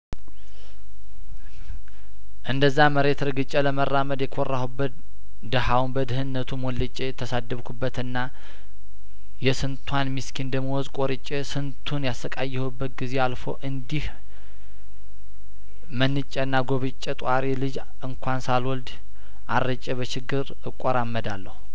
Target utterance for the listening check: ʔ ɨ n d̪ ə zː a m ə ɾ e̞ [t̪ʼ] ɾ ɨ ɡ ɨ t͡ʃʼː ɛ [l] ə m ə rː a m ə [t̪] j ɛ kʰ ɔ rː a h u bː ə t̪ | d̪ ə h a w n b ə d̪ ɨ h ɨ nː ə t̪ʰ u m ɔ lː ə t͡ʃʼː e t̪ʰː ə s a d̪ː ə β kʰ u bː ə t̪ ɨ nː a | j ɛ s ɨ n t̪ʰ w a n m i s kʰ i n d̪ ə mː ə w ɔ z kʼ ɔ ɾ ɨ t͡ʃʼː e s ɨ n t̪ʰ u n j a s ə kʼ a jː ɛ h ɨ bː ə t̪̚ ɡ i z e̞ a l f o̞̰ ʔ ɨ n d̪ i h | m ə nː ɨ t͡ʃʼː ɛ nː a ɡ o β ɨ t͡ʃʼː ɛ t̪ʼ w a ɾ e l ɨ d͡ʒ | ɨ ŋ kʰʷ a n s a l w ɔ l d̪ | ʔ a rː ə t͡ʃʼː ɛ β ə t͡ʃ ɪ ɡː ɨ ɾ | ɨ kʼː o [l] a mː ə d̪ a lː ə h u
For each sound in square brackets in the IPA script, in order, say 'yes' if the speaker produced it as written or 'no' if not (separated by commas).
no, yes, no, no